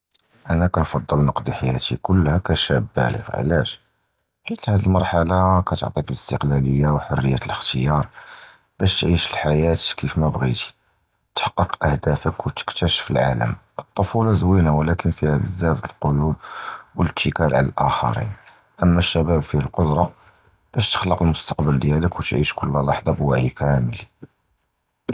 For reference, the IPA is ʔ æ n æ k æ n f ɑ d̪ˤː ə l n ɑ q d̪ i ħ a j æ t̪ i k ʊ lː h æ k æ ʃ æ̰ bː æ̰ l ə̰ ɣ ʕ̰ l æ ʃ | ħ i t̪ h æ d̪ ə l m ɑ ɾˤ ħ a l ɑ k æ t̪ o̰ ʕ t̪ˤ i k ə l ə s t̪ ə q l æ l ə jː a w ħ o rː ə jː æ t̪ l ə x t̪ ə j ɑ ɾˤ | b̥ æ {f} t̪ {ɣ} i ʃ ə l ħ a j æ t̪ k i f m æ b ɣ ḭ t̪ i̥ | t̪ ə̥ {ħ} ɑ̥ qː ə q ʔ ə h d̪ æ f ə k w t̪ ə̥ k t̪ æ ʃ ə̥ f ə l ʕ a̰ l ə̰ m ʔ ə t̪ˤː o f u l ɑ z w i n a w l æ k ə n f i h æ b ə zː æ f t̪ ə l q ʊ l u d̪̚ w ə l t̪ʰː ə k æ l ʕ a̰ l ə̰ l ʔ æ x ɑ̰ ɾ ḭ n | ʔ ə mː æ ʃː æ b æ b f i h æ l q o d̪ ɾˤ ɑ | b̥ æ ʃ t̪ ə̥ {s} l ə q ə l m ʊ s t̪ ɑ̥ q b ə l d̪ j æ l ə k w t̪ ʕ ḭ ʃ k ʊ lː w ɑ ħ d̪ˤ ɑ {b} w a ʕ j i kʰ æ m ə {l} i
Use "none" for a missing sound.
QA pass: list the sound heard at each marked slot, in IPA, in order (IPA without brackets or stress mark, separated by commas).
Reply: ʃ, ʕ, ħ, x, b, l